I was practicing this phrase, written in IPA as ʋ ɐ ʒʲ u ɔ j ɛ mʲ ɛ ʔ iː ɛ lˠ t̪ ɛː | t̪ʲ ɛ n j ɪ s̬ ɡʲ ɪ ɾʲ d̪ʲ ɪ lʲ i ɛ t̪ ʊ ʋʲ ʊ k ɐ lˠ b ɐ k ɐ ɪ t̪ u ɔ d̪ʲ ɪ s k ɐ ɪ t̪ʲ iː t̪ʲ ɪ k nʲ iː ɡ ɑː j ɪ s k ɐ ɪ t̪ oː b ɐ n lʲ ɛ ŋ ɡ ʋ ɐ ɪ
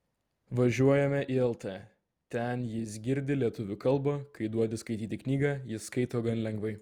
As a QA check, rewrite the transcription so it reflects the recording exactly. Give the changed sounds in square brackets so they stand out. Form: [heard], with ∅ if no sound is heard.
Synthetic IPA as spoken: ʋ ɐ ʒʲ u ɔ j ɛ mʲ ɛ ʔ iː ɛ lˠ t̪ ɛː | t̪ʲ ɛ n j ɪ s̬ ɡʲ ɪ ɾʲ d̪ʲ ɪ lʲ i ɛ t̪ ʊ ʋʲ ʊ k ɐ lˠ b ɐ k ɐ ɪ [d̪] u ɔ d̪ʲ ɪ s k ɐ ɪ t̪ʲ iː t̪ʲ ɪ k nʲ iː ɡ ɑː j ɪ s k ɐ ɪ t̪ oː [ɡ] ɐ n lʲ ɛ ŋ ɡ ʋ ɐ ɪ